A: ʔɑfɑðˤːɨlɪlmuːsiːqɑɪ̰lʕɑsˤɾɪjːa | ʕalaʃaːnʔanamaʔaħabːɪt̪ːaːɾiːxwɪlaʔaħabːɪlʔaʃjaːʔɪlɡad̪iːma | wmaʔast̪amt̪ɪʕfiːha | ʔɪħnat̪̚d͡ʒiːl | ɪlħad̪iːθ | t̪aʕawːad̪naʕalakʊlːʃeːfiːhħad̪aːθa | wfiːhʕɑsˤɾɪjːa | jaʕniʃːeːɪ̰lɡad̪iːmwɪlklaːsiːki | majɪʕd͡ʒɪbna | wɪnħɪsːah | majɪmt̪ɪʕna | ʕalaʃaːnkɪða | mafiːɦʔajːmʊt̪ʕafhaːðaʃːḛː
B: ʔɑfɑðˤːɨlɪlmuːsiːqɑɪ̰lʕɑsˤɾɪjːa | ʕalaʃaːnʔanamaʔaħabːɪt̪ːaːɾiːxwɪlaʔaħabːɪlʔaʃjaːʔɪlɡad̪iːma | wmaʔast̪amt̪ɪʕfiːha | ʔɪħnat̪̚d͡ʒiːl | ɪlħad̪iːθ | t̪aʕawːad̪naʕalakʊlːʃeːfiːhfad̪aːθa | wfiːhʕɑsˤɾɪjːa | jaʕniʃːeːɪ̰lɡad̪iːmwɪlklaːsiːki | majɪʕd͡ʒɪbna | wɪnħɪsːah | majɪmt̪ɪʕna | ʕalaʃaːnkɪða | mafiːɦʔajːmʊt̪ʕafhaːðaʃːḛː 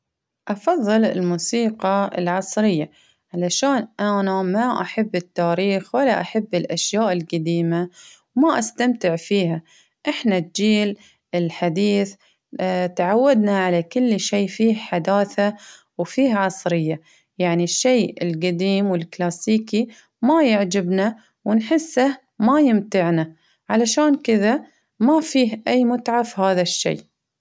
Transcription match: A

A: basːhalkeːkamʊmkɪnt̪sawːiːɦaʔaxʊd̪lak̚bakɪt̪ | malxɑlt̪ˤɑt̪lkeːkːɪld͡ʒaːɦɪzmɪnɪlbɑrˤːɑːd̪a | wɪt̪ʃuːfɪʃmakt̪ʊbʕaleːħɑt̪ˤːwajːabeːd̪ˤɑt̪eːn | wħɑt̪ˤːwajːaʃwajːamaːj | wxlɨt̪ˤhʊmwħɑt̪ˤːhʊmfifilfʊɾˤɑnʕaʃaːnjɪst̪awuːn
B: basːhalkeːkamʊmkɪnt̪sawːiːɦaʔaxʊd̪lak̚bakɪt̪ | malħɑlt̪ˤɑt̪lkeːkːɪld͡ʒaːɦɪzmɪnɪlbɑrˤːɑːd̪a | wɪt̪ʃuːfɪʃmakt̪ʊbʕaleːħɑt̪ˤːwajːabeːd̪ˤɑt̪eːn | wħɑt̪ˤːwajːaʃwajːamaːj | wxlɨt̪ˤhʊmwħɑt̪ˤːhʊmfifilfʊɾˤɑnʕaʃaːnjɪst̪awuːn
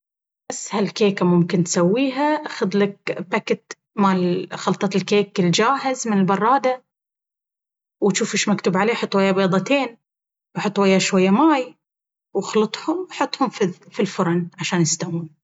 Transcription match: A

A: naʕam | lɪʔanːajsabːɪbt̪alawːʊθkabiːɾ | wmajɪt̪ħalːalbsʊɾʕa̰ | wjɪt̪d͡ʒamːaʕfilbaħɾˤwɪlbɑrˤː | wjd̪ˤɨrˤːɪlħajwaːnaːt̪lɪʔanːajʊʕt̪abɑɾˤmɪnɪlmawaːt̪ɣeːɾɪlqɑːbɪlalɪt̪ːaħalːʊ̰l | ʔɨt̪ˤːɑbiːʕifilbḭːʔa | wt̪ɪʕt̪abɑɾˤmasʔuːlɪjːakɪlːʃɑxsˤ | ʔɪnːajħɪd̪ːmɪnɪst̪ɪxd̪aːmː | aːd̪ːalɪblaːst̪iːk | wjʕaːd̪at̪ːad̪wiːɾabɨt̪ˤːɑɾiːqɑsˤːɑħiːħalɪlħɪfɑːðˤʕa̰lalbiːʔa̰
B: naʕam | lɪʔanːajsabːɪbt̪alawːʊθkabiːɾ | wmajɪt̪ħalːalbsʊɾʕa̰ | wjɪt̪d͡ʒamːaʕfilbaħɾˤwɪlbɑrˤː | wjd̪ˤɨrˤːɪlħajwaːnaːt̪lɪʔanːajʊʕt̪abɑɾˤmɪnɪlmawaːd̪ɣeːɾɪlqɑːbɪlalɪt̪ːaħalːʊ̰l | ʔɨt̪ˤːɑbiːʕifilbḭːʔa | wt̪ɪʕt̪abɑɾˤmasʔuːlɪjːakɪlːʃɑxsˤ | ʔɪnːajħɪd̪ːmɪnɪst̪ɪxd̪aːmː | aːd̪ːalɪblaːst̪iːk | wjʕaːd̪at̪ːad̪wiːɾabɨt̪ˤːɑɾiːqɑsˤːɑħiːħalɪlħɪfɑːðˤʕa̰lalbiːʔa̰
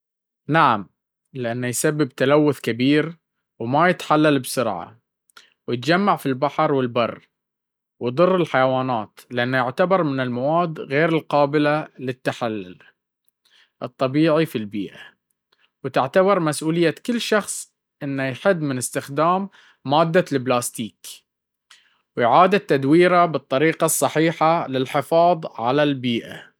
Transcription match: B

